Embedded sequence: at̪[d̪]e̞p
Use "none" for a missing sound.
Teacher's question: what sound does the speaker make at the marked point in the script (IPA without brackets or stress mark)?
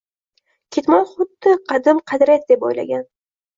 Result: d̪